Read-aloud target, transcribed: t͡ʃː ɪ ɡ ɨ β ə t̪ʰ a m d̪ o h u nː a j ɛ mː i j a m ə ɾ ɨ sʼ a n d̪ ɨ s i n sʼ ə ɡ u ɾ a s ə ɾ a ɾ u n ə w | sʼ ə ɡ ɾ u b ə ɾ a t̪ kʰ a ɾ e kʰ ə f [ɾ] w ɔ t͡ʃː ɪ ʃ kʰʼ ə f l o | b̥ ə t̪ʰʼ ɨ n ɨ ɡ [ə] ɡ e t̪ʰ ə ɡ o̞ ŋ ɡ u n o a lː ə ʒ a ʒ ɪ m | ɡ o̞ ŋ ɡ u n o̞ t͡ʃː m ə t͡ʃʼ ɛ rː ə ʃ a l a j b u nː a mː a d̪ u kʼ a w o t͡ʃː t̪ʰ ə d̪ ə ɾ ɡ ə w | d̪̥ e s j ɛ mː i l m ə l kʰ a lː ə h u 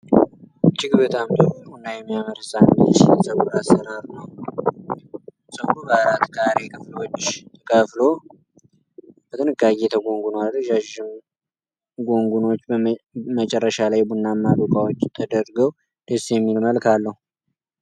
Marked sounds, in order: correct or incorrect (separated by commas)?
incorrect, incorrect